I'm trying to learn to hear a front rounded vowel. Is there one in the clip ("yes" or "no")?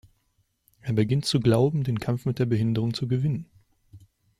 no